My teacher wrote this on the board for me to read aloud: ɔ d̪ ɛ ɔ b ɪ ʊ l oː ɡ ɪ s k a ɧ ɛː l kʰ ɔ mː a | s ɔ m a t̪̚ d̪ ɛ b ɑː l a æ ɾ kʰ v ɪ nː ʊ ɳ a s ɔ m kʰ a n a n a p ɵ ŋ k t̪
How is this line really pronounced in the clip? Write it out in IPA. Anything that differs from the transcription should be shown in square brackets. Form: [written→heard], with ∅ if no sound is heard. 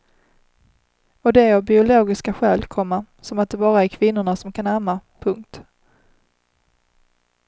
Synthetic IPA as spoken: ɔ d̪ ɛ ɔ b ɪ ʊ l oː ɡ ɪ s k a ɧ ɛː l kʰ ɔ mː a | s ɔ m a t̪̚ d̪ ɛ b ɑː [l→ɾ] a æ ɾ kʰ v ɪ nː ʊ ɳ a s ɔ m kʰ a n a [n→m] a [p→pʰ] ɵ ŋ k t̪

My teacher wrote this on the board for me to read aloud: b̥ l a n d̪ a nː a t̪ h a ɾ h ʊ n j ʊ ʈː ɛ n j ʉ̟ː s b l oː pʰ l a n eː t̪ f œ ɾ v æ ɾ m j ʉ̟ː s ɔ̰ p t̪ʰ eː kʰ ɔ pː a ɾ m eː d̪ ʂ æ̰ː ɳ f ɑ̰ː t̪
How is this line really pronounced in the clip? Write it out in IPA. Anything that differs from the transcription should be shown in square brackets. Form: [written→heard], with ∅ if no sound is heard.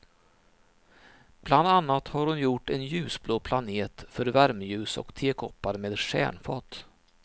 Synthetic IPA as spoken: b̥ l a n d̪ a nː a t̪ h a ɾ h ʊ n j ʊ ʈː ɛ n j ʉ̟ː s b l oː pʰ l a n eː t̪ f œ ɾ v æ ɾ m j ʉ̟ː s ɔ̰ [p→k] t̪ʰ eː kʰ ɔ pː a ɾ m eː d̪ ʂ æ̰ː ɳ f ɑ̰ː t̪

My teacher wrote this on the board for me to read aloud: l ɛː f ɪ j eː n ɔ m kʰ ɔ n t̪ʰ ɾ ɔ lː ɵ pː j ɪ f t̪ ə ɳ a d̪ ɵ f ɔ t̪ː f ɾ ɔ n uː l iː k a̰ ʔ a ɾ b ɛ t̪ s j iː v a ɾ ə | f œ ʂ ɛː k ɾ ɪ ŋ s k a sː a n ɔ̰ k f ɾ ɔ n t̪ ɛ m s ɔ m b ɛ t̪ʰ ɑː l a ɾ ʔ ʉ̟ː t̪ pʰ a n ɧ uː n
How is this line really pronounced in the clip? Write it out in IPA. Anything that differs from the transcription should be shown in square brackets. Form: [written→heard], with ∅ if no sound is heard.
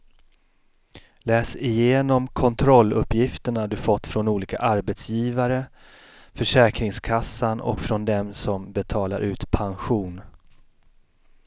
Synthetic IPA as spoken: l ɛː [f→s] ɪ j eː n ɔ m kʰ ɔ n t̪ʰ ɾ ɔ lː ɵ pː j ɪ f t̪ ə ɳ a d̪ ɵ f ɔ t̪ː f ɾ ɔ n uː l iː k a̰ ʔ a ɾ b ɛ t̪ s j iː v a ɾ ə | f œ ʂ ɛː k ɾ ɪ ŋ s [k→kʰ] a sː a n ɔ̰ k f ɾ ɔ n [t̪→d̪] ɛ m s ɔ m b ɛ t̪ʰ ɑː l a ɾ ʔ ʉ̟ː t̪ pʰ a n ɧ uː n

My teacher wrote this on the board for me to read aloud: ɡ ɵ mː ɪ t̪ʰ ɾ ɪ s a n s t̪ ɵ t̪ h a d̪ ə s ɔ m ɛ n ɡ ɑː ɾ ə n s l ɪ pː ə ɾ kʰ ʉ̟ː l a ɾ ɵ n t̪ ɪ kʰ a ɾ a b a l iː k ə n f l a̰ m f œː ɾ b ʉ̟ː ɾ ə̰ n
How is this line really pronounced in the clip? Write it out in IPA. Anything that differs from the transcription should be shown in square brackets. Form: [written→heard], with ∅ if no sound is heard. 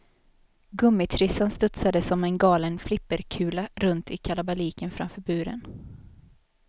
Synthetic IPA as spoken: ɡ ɵ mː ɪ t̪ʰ ɾ ɪ s a n s t̪ ɵ t̪ [h→s] a d̪ ə s ɔ m ɛ n ɡ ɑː [ɾ→l] ə n [s→f] l ɪ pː ə ɾ kʰ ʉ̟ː l a ɾ ɵ n t̪ ɪ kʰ a [ɾ→l] a b a l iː k ə n f [l→ɾ] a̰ m f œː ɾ b ʉ̟ː ɾ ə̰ n

